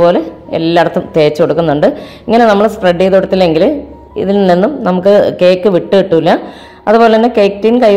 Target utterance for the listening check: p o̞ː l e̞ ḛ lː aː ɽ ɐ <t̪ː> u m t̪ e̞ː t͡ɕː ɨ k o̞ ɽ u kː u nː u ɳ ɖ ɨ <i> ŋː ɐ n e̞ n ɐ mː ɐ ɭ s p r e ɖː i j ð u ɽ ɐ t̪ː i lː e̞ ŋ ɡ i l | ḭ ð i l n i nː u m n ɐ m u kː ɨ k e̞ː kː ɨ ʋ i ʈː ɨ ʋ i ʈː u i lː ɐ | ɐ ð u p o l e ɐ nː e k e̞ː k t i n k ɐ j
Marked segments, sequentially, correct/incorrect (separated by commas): correct, correct